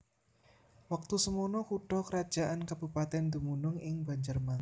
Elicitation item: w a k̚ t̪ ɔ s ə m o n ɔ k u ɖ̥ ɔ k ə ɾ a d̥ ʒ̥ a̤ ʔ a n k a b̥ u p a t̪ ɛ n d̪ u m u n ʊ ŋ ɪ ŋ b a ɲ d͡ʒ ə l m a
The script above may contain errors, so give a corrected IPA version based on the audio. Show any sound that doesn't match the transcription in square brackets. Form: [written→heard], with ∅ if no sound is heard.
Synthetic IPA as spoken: w a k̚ t̪ [ɔ→u] s ə m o n ɔ k u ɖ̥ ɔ k ə ɾ a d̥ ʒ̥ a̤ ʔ a n k a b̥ u p a t̪ ɛ n d̪ u m u n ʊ ŋ ɪ ŋ b a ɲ d͡ʒ ə [l→r] m a